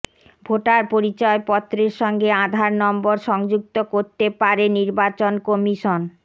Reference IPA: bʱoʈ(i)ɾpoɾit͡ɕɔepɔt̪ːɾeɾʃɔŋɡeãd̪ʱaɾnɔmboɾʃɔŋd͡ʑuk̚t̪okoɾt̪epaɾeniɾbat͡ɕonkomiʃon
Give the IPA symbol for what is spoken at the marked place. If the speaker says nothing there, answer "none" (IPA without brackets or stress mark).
a